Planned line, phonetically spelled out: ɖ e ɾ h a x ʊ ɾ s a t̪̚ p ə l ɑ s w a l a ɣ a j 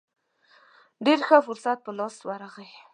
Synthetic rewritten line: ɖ e ɾ x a f ʊ ɾ s a t̪̚ p ə l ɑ s w a ɾ a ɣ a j